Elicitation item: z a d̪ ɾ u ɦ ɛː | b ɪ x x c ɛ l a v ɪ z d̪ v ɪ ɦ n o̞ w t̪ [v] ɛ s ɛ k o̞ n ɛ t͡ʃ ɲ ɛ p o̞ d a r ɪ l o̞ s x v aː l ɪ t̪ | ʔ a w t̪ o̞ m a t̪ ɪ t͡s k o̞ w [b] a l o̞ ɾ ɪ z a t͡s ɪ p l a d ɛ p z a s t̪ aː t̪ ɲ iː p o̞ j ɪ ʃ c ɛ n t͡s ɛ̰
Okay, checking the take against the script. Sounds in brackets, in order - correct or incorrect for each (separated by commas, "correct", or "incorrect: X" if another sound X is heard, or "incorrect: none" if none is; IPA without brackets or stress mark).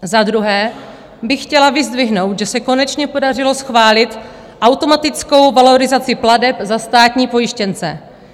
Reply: incorrect: ʒ, incorrect: v